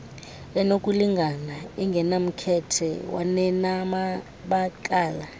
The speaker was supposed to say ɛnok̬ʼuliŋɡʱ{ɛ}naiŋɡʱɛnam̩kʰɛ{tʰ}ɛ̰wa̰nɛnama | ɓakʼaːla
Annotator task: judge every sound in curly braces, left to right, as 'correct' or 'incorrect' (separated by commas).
incorrect, correct